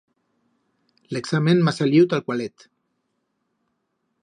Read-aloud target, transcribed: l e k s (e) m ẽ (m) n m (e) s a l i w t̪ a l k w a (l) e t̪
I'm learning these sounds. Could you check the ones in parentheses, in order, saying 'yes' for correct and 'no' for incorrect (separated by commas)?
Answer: no, no, no, yes